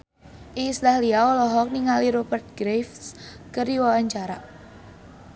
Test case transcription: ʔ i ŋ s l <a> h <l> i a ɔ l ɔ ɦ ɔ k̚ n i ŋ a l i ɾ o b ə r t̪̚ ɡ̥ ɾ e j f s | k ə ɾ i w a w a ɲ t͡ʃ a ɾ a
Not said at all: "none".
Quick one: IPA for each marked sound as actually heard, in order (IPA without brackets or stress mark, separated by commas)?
a, l